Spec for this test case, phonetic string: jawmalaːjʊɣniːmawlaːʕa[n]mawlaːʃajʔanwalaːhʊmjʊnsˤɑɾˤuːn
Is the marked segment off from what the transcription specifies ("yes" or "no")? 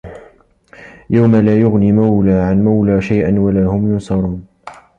no